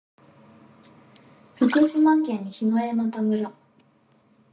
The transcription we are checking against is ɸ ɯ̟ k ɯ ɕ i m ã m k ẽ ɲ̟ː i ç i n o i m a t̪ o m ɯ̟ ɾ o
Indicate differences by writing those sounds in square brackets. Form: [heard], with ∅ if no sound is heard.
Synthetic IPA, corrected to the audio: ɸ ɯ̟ k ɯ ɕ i m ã [ŋ] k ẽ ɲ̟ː i ç i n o [e] m a t̪ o m ɯ̟ ɾ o